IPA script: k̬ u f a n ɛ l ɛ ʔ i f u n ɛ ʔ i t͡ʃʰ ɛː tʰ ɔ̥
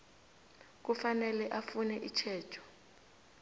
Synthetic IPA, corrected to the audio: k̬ u f a n ɛ l ɛ ʔ a f u n ɛ ʔ i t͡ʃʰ ɛː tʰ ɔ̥